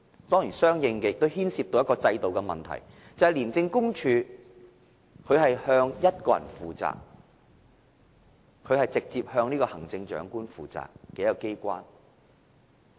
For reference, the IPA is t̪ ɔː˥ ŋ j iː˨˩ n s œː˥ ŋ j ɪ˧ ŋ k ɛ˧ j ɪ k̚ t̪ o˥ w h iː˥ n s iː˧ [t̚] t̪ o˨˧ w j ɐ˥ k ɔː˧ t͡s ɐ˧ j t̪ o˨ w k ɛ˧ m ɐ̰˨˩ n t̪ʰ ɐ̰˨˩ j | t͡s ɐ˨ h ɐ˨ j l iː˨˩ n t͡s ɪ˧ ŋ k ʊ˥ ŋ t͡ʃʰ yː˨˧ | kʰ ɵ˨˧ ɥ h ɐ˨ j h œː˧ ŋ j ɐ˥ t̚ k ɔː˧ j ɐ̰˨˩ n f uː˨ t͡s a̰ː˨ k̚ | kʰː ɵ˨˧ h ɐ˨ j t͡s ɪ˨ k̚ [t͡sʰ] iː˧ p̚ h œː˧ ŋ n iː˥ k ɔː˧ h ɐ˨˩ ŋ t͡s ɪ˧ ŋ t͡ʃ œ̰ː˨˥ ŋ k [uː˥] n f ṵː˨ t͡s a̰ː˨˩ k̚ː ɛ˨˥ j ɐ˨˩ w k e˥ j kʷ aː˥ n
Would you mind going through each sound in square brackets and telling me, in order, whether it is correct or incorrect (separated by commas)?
incorrect, incorrect, correct